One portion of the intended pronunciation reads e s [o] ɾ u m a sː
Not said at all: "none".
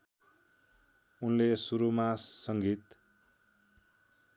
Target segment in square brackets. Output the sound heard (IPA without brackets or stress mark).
u